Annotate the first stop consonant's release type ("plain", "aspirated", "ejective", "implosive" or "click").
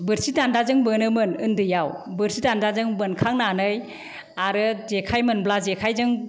plain